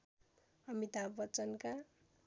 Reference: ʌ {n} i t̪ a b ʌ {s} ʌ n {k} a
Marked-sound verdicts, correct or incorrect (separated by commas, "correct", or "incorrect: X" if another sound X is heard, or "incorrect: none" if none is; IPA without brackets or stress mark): incorrect: m, incorrect: t͡s, correct